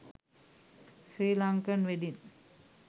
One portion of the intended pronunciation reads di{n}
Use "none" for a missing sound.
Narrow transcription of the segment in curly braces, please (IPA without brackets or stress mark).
n